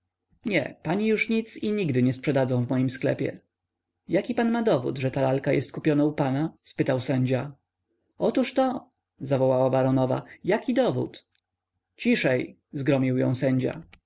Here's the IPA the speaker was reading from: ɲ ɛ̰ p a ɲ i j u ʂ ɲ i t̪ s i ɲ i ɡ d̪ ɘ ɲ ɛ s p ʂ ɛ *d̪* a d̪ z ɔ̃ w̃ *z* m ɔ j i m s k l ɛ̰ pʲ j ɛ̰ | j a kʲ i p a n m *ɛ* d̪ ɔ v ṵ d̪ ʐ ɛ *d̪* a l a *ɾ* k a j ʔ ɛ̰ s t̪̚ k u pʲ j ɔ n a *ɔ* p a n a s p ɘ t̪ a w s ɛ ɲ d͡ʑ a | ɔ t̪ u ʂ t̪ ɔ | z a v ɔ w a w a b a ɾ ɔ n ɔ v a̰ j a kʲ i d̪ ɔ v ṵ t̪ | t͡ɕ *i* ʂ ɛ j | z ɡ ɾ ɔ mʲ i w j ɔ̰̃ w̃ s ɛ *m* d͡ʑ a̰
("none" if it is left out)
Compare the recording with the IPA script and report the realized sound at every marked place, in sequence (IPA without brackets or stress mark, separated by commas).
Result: d̪, v, a, t̪, l, u, i, ɲ